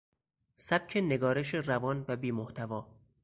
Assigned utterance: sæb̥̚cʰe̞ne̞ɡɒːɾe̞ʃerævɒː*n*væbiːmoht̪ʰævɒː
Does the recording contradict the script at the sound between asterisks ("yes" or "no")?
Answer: no